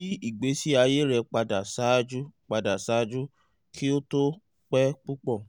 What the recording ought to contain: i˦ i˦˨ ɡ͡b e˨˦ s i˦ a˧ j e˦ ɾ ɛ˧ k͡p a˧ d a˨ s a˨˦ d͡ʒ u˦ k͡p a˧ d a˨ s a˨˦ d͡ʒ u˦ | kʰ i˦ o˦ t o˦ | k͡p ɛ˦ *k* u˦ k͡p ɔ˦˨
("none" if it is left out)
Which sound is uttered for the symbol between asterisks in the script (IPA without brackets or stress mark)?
k͡p